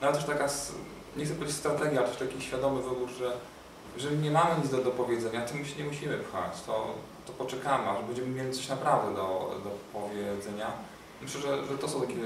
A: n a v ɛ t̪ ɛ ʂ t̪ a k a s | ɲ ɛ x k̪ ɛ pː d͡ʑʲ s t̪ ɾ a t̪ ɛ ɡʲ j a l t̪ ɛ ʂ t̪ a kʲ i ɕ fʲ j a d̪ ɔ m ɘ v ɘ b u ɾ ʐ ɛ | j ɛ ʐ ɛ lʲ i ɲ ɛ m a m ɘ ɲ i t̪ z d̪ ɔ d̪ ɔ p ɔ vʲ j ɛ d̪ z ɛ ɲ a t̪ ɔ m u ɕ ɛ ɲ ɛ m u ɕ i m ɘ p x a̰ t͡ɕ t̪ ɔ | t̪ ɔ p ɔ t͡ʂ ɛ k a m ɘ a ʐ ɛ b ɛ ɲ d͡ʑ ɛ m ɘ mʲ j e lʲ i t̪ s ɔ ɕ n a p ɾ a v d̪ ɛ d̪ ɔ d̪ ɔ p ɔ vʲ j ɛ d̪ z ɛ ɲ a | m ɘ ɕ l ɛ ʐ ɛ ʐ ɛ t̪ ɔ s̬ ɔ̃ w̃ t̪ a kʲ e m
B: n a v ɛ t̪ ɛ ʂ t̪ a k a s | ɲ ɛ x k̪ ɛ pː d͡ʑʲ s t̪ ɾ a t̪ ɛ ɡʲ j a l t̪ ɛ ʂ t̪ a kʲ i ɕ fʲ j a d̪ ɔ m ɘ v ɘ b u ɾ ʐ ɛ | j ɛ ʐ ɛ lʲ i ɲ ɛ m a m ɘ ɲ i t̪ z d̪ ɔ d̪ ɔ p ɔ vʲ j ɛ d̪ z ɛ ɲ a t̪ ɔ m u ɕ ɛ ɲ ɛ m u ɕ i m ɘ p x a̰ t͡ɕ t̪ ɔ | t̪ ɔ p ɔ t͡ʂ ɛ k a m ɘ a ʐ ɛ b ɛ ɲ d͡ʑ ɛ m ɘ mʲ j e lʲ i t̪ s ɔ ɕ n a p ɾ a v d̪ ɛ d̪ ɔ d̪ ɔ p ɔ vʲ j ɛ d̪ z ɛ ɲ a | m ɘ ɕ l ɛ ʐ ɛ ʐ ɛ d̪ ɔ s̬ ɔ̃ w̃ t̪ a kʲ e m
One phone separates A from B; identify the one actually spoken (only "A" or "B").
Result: A